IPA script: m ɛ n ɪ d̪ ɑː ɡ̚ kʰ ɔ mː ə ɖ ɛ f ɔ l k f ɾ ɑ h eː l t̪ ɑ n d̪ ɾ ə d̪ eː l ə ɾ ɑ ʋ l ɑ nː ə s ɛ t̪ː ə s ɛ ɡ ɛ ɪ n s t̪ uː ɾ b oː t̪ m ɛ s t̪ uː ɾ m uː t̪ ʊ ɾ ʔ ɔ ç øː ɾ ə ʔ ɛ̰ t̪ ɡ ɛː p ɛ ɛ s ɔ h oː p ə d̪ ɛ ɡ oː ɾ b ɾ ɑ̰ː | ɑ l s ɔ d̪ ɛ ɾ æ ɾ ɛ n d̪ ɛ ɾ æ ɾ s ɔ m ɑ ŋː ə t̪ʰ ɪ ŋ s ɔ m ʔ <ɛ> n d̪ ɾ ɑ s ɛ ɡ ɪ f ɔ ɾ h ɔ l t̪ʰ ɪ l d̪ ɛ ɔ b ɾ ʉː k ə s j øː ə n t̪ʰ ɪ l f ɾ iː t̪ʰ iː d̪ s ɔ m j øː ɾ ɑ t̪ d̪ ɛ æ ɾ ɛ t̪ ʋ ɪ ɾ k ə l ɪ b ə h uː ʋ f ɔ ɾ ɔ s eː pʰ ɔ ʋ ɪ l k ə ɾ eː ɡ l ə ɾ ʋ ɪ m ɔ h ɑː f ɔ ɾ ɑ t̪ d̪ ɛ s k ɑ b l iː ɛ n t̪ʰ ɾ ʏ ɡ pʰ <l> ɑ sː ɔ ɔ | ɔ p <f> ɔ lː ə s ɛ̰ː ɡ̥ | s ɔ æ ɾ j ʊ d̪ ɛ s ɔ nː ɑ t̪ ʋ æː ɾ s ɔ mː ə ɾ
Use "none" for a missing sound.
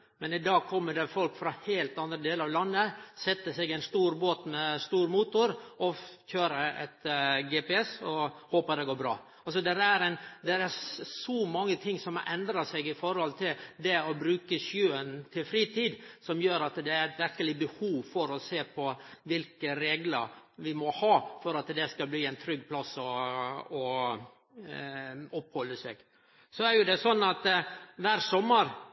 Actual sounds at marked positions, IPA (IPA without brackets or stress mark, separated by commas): ɛ, l, h